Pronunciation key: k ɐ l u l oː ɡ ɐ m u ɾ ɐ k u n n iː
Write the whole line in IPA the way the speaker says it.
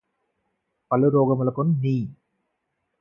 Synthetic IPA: p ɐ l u ɾ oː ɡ ɐ m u l ɐ k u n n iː